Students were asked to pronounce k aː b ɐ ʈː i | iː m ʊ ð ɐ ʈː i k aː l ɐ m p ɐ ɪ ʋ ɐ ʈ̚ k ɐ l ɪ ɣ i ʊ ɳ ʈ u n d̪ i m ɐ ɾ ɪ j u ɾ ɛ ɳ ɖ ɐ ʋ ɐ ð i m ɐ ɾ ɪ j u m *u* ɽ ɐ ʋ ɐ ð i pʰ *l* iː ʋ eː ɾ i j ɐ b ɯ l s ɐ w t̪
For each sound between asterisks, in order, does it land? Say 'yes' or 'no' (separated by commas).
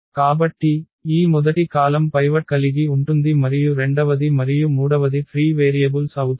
no, no